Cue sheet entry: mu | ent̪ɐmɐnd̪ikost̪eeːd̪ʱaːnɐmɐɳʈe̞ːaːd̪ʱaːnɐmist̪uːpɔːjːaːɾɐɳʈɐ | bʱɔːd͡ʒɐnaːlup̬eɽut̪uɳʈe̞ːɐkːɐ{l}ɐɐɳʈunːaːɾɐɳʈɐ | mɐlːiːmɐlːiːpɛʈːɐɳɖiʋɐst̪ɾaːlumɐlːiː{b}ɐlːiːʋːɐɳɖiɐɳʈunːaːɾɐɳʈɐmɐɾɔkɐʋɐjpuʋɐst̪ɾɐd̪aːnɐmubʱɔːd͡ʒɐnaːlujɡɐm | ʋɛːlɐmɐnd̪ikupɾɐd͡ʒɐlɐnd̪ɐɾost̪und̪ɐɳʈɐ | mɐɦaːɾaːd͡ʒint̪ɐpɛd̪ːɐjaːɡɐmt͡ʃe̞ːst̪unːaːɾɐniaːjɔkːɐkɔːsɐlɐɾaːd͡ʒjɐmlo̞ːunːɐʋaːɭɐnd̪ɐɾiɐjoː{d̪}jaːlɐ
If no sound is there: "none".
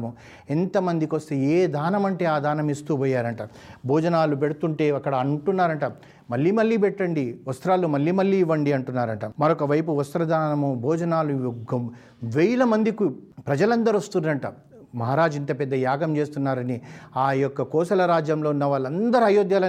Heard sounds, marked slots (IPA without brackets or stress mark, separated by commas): ɽ, m, d̪